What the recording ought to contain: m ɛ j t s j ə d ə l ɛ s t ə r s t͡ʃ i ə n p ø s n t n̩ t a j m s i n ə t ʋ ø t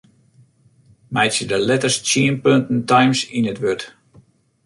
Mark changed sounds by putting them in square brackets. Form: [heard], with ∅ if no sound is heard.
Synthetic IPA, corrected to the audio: m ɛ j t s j ə d ə l ɛ [∅] t ə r s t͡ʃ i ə n p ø [∅] n t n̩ t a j m s i n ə t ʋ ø t